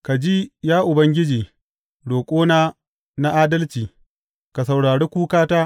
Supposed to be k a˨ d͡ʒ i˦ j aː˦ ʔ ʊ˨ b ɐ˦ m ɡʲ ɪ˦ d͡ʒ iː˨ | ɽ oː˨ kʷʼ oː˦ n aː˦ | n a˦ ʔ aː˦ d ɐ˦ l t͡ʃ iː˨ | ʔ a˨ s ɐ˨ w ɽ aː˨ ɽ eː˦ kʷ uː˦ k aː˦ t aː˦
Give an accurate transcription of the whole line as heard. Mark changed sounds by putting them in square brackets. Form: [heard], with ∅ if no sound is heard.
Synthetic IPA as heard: k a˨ d͡ʒ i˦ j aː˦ ʔ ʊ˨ b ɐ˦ [ŋ] ɡʲ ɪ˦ d͡ʒ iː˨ | ɽ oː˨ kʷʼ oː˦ n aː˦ | n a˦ ʔ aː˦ d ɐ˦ l t͡ʃ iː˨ | [k] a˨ s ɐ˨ w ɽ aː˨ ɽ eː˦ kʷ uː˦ k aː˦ t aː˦